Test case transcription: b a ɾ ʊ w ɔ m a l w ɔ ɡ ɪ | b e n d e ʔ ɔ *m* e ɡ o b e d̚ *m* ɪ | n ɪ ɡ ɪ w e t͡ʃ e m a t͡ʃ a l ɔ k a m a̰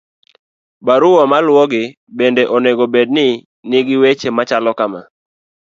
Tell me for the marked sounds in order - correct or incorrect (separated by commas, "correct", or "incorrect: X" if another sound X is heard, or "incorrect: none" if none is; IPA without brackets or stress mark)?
incorrect: n, incorrect: n